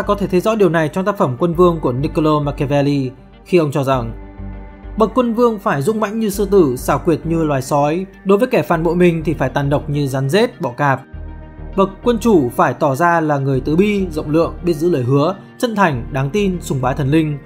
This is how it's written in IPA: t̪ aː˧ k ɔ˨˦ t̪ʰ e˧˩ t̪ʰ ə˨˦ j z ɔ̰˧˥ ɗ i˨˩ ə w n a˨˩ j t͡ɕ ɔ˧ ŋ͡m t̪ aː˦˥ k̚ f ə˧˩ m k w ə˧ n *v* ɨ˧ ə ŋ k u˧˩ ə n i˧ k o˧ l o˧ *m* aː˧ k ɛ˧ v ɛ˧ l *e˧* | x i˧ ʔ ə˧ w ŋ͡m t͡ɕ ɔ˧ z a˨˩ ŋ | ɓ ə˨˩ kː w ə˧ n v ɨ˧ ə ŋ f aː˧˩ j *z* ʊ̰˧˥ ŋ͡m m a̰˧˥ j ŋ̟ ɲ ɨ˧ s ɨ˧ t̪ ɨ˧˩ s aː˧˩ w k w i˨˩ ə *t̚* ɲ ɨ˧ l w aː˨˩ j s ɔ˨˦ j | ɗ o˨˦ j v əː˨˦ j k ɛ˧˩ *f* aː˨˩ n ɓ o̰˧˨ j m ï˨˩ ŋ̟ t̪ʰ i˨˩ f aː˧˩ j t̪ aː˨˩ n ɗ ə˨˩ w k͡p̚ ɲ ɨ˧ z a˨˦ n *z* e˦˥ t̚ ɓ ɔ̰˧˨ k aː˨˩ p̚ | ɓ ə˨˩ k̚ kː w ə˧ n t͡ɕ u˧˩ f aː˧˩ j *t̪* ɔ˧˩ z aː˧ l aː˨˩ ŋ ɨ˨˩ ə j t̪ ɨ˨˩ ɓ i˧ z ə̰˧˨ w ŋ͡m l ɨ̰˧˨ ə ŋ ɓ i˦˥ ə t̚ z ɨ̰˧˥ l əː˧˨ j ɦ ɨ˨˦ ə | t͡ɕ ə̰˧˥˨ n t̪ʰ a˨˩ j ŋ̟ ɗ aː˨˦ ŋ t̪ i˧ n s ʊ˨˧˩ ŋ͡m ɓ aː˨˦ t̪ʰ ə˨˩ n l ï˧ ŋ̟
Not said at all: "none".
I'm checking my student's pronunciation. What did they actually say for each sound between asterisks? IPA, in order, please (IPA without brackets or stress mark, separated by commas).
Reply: v, m, i˧, z, t̚, f, z, t̪